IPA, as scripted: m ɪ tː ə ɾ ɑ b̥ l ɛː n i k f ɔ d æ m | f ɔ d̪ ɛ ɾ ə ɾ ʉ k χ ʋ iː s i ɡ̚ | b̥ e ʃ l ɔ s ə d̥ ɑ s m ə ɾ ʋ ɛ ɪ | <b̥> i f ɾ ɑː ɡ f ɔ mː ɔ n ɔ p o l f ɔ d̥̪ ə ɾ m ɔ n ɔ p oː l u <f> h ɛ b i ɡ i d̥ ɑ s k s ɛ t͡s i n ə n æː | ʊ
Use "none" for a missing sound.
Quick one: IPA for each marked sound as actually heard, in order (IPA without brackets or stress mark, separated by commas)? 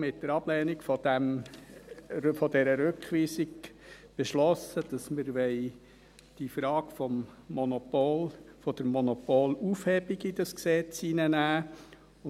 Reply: d̥, f